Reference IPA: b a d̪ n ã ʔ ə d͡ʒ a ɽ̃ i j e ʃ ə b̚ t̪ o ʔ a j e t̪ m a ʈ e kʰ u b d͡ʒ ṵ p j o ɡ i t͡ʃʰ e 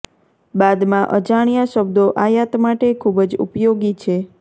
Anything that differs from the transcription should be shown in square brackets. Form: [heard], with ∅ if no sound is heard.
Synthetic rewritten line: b a d̪ [m] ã ʔ ə d͡ʒ a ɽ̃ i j [a] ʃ ə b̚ [d̪] o ʔ a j [a] t̪ m a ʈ e kʰ u b d͡ʒ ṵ p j o ɡ i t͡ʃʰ e